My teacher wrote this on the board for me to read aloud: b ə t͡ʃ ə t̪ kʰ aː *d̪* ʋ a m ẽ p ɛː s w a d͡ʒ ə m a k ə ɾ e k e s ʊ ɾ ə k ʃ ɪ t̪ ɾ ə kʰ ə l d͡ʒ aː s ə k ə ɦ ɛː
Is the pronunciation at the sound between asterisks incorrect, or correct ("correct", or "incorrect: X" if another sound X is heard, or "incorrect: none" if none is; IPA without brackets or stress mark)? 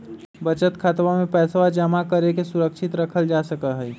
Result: incorrect: t̪